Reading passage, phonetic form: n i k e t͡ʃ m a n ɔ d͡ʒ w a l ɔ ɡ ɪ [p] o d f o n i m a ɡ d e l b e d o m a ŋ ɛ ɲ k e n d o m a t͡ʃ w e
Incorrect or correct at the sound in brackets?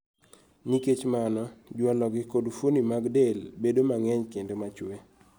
incorrect: k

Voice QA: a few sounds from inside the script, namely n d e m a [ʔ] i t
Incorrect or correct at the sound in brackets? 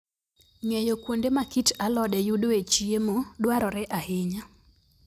incorrect: k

